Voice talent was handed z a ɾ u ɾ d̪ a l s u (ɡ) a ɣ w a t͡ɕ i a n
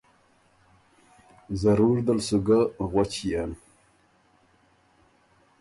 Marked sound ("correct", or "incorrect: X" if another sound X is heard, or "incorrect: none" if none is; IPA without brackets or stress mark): correct